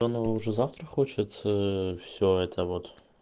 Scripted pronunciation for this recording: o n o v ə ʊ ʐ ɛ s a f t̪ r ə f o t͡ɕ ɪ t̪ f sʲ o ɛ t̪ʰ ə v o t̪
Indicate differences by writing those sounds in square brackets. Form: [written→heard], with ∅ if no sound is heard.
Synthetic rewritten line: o n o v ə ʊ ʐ ɛ [s→z] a f t̪ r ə [f→x] o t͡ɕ ɪ t̪ f sʲ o ɛ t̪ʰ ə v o t̪